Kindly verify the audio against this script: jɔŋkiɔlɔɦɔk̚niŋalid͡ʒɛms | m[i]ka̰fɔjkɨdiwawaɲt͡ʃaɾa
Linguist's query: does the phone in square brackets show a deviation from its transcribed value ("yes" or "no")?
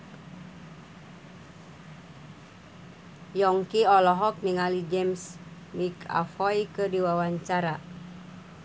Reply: no